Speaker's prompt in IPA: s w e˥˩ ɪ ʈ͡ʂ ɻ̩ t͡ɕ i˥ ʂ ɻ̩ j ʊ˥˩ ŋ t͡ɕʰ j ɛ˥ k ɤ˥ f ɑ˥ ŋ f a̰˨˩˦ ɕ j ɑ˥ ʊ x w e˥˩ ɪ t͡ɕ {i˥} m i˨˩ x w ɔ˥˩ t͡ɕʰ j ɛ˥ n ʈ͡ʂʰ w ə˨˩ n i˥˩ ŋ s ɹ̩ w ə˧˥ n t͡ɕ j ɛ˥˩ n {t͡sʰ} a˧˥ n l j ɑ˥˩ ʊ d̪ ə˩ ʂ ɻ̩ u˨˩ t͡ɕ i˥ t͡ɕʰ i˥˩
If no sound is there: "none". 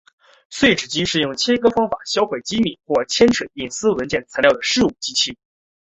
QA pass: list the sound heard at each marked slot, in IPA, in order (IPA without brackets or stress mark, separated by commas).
i˥, t͡sʰ